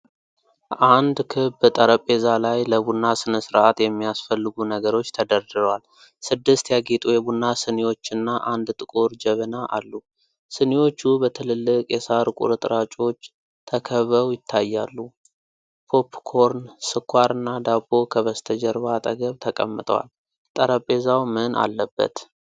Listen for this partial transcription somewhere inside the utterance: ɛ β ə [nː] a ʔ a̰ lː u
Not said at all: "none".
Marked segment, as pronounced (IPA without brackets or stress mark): n